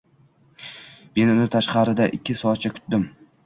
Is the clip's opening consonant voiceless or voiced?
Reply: voiced